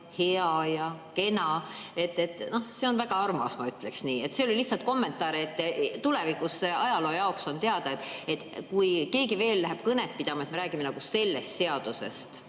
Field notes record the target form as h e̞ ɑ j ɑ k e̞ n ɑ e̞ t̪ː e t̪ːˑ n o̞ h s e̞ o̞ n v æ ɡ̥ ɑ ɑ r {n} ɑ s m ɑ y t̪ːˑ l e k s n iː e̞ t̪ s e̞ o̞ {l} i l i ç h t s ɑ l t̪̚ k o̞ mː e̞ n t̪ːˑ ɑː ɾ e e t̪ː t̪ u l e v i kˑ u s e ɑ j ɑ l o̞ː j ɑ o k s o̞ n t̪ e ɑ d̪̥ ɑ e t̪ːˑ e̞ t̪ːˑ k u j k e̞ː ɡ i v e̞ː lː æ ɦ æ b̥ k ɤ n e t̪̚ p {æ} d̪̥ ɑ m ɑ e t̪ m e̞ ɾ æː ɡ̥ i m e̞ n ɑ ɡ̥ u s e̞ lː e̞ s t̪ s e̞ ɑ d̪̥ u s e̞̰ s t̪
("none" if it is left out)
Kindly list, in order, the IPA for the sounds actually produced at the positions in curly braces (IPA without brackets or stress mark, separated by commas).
m, l, i